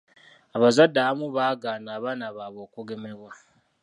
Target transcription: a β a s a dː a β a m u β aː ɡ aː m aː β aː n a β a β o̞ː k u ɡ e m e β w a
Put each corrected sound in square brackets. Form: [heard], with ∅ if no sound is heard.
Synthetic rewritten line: a β a [z] a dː a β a m u β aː ɡ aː [n] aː β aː n a β a β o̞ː k u ɡ e m e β w a